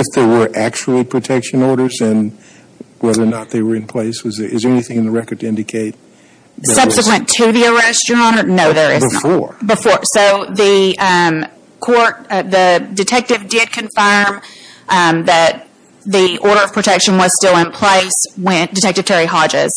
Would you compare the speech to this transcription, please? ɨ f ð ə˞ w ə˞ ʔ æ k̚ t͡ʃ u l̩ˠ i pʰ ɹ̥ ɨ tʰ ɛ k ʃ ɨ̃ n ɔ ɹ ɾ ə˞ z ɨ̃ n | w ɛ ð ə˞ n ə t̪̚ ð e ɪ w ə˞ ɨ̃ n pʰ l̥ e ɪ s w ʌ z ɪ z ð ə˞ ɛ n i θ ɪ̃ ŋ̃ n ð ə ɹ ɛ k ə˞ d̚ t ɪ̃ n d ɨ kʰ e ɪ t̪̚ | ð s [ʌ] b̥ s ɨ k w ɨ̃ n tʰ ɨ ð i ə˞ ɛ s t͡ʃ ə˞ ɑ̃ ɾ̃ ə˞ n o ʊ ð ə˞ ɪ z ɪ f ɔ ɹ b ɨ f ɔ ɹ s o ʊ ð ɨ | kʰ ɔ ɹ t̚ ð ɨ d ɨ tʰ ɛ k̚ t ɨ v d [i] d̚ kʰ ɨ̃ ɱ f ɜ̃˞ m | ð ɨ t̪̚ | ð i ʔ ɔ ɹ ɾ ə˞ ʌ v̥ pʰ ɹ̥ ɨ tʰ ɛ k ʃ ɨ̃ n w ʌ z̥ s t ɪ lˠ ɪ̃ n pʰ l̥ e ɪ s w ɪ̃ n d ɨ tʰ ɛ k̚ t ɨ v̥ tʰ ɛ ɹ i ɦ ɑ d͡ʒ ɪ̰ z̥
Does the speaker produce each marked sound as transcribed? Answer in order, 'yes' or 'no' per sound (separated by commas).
yes, no